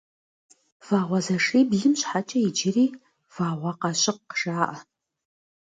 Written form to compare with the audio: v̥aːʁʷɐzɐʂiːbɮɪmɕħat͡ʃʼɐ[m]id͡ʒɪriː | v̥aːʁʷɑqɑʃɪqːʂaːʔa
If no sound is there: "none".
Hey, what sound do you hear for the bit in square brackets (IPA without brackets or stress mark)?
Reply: none